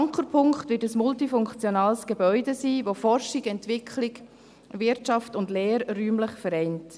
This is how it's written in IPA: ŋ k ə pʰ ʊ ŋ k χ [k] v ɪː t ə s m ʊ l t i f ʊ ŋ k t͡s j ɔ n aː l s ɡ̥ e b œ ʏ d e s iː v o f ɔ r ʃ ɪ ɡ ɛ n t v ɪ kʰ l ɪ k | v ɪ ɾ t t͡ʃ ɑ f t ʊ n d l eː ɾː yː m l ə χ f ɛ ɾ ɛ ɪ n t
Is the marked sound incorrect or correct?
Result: incorrect